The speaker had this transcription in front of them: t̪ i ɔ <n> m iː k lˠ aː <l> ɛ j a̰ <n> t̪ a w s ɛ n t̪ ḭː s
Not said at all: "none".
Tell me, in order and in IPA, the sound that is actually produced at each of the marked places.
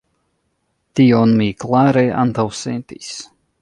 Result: n, ɾ, n

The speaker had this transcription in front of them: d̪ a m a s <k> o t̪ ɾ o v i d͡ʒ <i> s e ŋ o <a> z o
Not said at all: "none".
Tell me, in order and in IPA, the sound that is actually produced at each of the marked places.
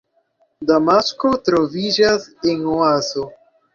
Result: k, a, a

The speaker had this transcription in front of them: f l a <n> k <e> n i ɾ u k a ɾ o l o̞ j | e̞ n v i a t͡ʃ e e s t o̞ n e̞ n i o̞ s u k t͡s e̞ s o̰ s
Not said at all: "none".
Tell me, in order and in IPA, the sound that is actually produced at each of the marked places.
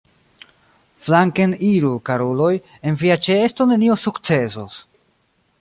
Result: ŋ, e

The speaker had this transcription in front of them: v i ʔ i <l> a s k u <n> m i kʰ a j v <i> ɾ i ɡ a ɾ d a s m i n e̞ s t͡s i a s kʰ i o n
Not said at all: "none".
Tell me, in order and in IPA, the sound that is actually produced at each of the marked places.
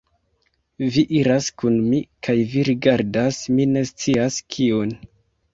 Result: ɾ, n, i

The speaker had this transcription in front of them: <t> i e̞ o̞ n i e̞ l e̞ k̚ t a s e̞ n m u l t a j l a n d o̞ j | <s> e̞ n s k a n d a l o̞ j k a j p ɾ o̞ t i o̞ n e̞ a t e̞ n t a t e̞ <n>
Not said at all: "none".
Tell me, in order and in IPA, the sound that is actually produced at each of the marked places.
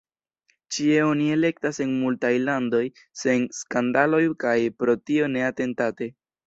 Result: t͡ʃ, s, none

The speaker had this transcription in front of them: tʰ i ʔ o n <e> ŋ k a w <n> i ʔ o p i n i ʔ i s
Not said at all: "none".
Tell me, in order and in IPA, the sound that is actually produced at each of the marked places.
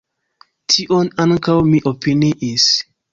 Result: a, m

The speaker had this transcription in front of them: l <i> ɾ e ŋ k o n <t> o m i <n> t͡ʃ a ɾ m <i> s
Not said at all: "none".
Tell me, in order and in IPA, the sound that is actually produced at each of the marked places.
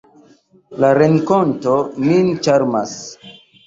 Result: a, t, n, a

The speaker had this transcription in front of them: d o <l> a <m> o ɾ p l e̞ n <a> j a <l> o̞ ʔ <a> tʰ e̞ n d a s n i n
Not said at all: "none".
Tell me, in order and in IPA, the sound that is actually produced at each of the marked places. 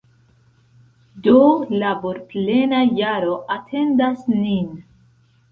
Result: l, b, a, ɾ, a

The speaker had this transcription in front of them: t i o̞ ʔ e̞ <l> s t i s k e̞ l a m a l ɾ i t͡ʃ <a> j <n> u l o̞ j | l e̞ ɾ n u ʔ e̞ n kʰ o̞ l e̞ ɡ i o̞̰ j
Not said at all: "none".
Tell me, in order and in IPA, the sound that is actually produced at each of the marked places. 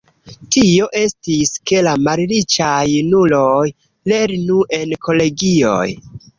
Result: none, a, n

